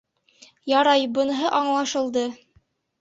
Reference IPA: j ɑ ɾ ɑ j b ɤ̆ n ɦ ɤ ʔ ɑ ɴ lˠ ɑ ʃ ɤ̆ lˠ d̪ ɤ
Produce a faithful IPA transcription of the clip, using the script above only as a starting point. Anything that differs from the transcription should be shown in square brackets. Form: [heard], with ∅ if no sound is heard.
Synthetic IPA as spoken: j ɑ ɾ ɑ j b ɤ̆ n ɦ ɤ ʔ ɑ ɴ lˠ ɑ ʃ ɤ̆ lˠ d̪ ɤ